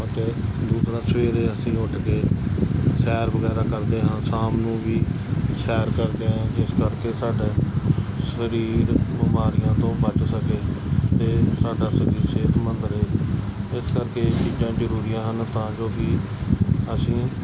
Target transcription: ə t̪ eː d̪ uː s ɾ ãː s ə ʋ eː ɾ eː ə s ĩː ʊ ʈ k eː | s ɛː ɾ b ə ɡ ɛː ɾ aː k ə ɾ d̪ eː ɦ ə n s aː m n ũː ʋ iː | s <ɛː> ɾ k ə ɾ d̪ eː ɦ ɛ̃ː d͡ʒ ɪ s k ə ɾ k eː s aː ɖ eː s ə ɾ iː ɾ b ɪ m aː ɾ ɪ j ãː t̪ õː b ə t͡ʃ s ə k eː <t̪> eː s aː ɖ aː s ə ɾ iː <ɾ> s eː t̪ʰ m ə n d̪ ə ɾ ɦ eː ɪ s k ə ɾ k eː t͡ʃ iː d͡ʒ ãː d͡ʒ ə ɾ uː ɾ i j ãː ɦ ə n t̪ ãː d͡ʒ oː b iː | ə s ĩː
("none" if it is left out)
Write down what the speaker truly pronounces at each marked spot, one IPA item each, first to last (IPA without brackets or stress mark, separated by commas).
ɛː, t̪, ɾ